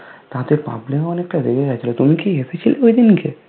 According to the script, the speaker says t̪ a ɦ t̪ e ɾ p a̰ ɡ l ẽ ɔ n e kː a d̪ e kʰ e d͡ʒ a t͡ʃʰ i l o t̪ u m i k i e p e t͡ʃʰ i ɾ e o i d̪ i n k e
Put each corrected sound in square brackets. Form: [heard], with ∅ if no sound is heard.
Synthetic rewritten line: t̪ a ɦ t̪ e ɾ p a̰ [b] l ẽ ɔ n e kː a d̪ e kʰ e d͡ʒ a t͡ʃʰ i l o t̪ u m i k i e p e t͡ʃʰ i [l] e o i d̪ i n k e

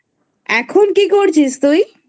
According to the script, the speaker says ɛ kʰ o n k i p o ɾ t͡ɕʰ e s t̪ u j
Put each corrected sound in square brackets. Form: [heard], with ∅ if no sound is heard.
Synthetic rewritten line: ɛ kʰ o n k i [k] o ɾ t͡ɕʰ [i] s t̪ u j

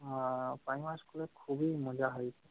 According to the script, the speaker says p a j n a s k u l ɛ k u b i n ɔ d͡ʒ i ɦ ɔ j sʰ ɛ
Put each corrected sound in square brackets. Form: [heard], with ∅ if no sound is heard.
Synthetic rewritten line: p a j [m] a s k u l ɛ [kʰ] u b i [m] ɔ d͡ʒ [a] ɦ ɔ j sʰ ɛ

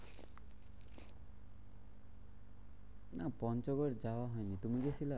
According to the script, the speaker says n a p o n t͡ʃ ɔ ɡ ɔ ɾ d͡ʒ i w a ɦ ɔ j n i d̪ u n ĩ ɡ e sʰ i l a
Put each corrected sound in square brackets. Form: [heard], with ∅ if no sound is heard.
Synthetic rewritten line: n a p [ɔ] n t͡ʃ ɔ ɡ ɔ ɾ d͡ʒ [a] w a ɦ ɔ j n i [t̪] u [m] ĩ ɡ e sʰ i l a

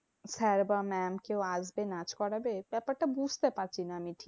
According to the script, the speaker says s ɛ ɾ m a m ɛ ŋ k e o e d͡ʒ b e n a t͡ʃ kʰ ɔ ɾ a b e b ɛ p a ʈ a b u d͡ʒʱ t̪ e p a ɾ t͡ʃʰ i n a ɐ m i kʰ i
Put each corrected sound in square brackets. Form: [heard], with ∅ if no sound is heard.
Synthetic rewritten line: s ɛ ɾ [b] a m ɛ [m] k e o [a] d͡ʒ b e n a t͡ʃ [k] ɔ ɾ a b e b ɛ p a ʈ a b u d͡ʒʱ t̪ e p a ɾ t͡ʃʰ i n a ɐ m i [ʈʰ] i

